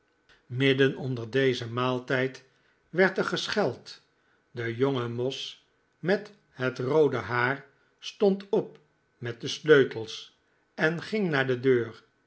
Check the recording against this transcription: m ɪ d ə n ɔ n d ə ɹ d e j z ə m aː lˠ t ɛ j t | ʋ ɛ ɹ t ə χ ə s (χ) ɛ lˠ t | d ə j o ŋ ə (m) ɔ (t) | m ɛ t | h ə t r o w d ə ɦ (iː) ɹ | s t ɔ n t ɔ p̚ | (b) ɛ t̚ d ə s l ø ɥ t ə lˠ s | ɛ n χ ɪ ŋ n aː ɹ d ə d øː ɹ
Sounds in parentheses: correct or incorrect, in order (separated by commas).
correct, correct, incorrect, incorrect, incorrect